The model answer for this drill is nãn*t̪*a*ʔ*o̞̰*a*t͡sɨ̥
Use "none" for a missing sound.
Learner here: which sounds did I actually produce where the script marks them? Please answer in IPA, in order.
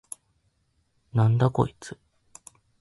d̪, k, i

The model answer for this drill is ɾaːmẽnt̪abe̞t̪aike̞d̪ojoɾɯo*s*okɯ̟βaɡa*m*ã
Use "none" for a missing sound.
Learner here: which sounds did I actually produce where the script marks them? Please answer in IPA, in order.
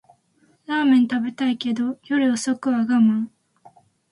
s, m

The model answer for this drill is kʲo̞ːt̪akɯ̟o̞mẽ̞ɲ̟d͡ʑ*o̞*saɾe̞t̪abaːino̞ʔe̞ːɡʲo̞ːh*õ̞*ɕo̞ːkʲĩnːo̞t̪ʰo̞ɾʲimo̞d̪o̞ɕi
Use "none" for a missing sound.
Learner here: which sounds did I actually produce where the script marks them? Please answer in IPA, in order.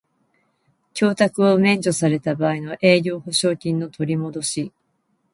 o̞, o̞

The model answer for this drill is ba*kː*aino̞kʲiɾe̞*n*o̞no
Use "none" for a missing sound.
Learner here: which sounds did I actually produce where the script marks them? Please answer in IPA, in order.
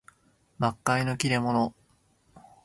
kː, m

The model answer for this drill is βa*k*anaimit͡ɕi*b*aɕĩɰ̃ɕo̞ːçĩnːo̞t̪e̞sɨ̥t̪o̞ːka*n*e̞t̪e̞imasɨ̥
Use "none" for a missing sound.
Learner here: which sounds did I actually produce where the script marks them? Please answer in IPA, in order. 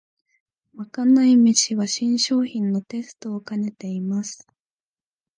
k, β, n

